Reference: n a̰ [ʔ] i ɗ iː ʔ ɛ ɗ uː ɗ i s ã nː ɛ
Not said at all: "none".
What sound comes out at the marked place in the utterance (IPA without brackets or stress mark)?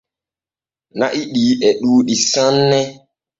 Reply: ʔ